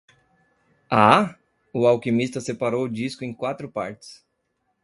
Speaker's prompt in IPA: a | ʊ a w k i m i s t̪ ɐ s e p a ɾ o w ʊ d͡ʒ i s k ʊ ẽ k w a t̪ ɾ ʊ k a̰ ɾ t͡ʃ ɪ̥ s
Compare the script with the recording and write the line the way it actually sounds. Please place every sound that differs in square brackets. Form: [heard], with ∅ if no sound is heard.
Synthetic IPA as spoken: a | ʊ a w k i m i s t̪ ɐ s e p a ɾ o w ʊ d͡ʒ i s k ʊ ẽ k w a t̪ ɾ ʊ [p] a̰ ɾ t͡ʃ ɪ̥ s